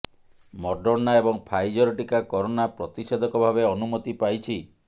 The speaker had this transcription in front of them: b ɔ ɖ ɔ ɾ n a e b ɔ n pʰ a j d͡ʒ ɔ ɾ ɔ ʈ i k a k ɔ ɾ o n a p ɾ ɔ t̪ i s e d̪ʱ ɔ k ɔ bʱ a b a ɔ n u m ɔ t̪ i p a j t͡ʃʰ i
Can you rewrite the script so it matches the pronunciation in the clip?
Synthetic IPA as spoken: m ɔ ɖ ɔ ɾ n a e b ɔ ŋ pʰ a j d͡ʒ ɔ ɾ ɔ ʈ i k a k ɔ ɾ o n a p ɾ ɔ t̪ i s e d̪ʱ ɔ k ɔ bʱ a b e ɔ n u m ɔ t̪ i p a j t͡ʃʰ i